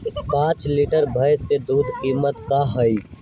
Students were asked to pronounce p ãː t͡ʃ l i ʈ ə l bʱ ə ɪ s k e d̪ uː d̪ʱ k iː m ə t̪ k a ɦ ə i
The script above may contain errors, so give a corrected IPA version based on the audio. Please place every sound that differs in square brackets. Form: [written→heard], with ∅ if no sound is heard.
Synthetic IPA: p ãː t͡ʃ l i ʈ ə [l→ɾ] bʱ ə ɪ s k e d̪ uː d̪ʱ k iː m ə t̪ k a ɦ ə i